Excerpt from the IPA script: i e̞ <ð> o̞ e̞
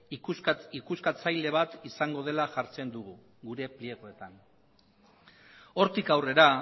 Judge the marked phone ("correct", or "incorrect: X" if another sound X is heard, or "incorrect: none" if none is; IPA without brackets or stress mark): incorrect: ɣ